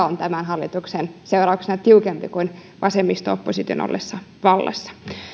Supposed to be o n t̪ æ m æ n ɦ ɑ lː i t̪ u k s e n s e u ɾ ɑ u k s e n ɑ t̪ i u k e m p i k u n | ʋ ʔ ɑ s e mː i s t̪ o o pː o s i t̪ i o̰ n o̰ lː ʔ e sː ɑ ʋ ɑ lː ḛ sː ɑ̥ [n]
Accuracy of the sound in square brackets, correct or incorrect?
incorrect